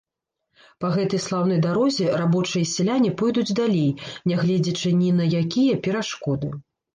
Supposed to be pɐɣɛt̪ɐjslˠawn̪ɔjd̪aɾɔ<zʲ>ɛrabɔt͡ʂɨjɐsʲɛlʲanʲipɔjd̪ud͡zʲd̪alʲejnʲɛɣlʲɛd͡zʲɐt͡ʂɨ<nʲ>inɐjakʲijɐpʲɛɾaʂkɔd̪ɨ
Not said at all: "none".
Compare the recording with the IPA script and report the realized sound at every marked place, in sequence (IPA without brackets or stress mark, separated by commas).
zʲ, nʲ